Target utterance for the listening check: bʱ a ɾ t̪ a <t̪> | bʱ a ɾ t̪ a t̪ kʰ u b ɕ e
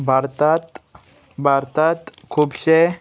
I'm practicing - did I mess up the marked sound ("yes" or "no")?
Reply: no